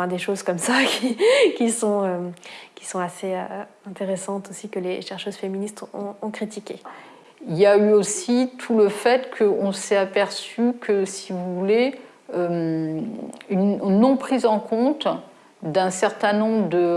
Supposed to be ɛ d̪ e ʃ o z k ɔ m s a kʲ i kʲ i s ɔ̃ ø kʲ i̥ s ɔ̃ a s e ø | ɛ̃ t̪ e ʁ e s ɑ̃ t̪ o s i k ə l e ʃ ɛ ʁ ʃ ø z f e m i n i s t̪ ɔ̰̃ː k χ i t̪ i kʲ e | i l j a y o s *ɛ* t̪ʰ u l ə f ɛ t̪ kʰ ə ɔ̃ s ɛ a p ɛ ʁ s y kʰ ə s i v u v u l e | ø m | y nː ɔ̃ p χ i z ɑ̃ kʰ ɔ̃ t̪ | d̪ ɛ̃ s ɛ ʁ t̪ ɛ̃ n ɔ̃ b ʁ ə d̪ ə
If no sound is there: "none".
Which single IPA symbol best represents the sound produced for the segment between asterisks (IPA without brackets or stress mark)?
i